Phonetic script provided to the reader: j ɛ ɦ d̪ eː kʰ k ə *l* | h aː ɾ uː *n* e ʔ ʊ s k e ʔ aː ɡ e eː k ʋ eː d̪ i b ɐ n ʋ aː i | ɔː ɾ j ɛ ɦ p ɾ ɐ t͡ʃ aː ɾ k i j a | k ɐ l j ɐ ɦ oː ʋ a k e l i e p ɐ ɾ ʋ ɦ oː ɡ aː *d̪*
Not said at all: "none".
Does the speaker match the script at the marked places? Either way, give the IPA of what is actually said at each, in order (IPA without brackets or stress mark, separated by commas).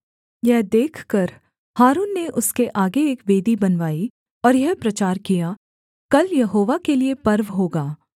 ɾ, nː, none